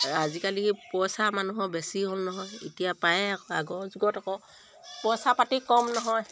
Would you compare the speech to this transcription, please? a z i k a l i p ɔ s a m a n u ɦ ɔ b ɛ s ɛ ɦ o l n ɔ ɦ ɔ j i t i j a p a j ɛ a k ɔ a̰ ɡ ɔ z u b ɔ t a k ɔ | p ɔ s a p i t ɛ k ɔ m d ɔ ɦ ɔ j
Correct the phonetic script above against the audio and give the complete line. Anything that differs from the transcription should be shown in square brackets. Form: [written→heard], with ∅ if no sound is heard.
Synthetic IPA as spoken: a z i k a l i p ɔ s a m a n u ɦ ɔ b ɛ s [ɛ→i] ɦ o l n ɔ ɦ ɔ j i t i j a p a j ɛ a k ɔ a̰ ɡ ɔ z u [b→ɡ] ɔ t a k ɔ | p ɔ s a p [i→a] t [ɛ→i] k ɔ m [d→n] ɔ ɦ ɔ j